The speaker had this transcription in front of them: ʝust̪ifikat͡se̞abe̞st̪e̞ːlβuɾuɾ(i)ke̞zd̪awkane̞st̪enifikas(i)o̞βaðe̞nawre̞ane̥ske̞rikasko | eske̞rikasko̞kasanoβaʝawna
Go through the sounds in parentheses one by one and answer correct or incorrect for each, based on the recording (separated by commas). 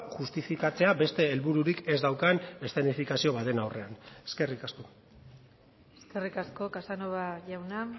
correct, correct